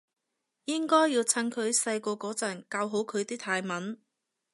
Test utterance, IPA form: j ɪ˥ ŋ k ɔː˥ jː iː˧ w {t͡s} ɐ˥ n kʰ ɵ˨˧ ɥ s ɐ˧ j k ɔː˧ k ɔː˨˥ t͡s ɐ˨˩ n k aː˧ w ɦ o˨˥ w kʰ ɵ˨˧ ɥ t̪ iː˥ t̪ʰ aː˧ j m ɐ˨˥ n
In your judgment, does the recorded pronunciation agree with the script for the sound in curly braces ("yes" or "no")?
no